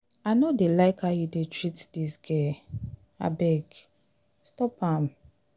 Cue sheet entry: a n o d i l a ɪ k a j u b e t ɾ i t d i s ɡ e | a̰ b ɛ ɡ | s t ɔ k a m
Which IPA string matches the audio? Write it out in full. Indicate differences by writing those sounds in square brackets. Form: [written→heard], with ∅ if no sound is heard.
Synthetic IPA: a n o d [i→e] l a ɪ k a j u [b→d] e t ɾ i t d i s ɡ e | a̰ b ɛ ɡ | s t ɔ [k→p] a m